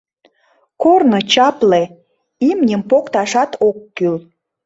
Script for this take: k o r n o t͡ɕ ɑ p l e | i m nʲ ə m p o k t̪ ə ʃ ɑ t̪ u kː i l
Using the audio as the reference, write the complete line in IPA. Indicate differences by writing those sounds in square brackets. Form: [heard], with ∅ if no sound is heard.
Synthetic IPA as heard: k o r n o t͡ɕ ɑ p l e | i m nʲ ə m p o k t̪ [ɑ] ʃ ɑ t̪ [o] kː [y] l